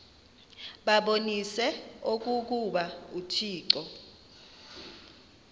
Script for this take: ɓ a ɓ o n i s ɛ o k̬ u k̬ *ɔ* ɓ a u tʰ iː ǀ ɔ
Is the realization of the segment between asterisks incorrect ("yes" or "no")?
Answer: yes